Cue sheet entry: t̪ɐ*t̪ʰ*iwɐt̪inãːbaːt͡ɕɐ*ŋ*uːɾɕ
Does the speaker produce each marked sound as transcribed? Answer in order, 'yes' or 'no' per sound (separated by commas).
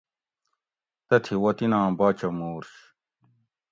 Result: yes, no